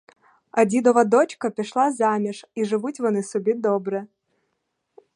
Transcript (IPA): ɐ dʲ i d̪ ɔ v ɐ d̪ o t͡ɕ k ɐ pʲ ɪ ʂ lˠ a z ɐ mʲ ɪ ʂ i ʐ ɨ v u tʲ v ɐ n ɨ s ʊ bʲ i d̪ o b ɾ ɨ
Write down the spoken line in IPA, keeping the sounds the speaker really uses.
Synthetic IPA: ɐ dʲ i d̪ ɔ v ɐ d̪ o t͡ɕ k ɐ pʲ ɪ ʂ lˠ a z a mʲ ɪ ʂ i ʐ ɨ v u tʲ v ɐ n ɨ s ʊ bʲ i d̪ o b ɾ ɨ